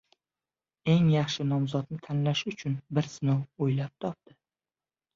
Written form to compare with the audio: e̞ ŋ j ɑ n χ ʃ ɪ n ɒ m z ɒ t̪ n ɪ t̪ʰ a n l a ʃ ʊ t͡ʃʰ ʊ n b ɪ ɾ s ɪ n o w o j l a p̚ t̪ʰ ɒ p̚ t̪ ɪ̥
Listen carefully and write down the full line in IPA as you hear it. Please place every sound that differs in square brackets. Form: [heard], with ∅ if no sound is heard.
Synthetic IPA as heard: e̞ ŋ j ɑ [∅] χ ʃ ɪ n ɒ m z ɒ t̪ n ɪ t̪ʰ a n l a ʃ ʊ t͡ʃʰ ʊ n b ɪ ɾ s ɪ n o w o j l a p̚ t̪ʰ ɒ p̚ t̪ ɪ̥